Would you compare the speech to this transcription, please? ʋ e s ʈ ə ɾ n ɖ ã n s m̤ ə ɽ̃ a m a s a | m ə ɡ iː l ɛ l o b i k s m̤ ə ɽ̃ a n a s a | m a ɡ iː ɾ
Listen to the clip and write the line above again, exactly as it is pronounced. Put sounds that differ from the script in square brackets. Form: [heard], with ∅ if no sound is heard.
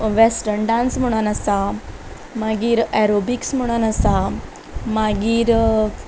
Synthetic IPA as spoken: ʋ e s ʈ ə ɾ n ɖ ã n s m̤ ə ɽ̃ a [n] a s a | m [a] ɡ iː [ɾ] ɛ [ɾ] o b i k s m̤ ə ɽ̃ a n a s a | m a ɡ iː ɾ